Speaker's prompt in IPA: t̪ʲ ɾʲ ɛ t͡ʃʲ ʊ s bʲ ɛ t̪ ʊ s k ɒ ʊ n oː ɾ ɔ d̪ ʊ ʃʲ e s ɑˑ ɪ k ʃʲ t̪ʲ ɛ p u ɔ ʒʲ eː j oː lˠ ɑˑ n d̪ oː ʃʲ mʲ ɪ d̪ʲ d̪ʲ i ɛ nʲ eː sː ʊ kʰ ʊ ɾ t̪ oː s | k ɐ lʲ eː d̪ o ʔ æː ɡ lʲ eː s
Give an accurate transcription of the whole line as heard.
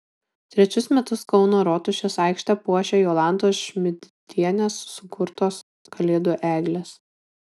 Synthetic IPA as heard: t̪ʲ ɾʲ ɛ t͡ʃʲ ʊ s mʲ ɛ t̪ ʊ s k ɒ ʊ n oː ɾ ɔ t̪ ʊ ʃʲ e s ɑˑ ɪ k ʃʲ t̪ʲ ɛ p u ɔ ʃʲ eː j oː lˠ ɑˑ n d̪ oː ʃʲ mʲ ɪ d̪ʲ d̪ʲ i ɛ nʲ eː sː ʊ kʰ ʊ ɾ t̪ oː s | k ɐ lʲ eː d̪ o ʔ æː ɡ lʲ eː s